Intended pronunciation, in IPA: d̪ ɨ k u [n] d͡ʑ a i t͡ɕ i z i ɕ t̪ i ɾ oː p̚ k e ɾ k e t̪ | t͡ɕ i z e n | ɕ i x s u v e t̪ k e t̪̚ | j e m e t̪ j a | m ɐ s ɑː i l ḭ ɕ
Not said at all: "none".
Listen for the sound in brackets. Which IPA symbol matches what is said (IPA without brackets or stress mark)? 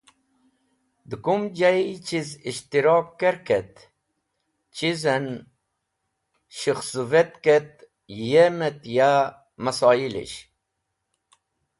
m